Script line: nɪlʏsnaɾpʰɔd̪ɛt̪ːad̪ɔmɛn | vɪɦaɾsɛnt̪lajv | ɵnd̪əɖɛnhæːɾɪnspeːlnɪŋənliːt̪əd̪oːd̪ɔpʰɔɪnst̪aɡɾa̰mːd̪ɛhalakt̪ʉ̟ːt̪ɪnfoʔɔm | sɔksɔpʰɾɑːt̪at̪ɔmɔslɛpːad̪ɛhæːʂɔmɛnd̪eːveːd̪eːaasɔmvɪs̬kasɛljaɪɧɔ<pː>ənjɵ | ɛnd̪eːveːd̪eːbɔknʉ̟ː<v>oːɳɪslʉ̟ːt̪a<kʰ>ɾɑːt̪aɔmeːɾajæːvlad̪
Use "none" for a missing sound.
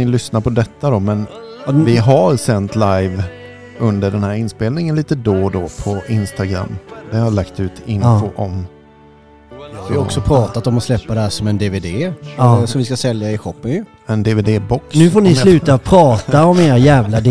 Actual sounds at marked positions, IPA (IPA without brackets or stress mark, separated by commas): pː, f, pʰ